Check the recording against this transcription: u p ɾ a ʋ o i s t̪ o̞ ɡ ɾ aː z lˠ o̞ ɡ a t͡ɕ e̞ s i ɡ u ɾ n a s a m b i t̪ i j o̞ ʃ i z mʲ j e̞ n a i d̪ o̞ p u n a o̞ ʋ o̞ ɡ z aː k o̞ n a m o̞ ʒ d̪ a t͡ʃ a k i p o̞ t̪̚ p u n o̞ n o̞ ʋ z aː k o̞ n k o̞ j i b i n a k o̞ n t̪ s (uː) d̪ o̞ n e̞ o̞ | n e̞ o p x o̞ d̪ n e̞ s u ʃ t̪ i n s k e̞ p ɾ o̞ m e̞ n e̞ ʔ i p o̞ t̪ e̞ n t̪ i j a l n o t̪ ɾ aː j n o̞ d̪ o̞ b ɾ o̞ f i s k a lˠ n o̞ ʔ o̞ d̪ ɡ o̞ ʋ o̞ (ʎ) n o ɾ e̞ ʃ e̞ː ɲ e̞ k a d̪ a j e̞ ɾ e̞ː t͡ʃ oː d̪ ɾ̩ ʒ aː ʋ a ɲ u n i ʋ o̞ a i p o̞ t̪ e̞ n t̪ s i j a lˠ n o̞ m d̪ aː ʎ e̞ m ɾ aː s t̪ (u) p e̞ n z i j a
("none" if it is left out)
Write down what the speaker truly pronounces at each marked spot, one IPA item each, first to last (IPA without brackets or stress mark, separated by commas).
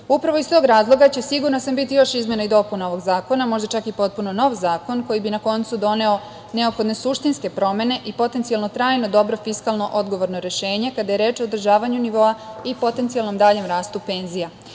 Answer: u, ɾ, u